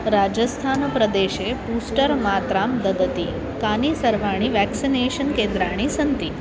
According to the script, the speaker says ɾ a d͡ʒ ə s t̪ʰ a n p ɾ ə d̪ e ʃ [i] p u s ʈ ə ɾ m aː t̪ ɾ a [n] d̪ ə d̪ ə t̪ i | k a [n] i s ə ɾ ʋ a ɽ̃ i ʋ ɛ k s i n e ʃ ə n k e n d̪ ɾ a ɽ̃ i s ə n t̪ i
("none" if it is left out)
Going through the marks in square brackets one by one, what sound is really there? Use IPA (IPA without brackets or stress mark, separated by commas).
e, m, n